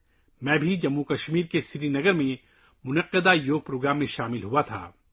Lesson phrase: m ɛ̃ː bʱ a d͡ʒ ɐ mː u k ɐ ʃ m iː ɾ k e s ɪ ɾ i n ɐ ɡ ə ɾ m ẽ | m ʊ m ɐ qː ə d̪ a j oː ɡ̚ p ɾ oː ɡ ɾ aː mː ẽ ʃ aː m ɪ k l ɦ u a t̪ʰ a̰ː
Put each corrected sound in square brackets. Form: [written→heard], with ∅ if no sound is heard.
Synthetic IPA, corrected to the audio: m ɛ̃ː bʱ [a→i] d͡ʒ ɐ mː u k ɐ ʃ m iː ɾ k e s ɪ ɾ i n ɐ ɡ ə ɾ m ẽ | m ʊ [m→n] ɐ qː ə d̪ a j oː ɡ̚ p ɾ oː ɡ ɾ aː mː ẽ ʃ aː m ɪ [k→∅] l ɦ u a t̪ʰ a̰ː

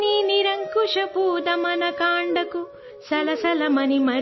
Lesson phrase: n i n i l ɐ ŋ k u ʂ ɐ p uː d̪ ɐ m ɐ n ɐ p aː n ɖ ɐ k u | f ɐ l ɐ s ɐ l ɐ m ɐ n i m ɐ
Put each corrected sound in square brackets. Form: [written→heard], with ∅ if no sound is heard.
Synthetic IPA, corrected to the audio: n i n i [l→ɾ] ɐ ŋ k u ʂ ɐ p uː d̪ ɐ m ɐ n ɐ [p→k] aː [n→ɳ] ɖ ɐ k u | [f→s] ɐ l ɐ s ɐ l ɐ m ɐ n i m ɐ

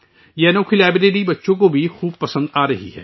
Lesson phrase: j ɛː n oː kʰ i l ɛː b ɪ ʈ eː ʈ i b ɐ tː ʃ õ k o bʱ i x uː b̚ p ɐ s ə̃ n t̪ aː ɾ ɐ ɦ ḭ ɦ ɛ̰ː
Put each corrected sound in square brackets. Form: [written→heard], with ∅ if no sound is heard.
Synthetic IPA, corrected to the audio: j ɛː n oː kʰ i l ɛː b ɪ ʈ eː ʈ i b ɐ tː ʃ õ k o bʱ i x uː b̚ p ɐ s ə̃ n [t̪→d̪] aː ɾ ɐ ɦ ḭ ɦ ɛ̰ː

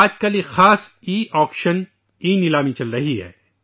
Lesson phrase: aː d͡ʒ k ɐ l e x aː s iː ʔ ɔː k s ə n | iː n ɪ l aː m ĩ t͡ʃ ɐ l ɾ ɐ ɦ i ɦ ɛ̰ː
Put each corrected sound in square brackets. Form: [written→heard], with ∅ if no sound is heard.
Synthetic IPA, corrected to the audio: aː d͡ʒ k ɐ l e x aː s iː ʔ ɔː k [s→ʃ] ə n | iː n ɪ l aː m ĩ t͡ʃ ɐ l ɾ ɐ ɦ i ɦ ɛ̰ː

